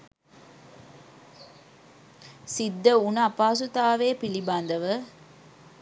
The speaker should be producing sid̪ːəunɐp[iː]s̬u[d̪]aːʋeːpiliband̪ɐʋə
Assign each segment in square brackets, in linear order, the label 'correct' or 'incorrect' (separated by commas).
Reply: incorrect, incorrect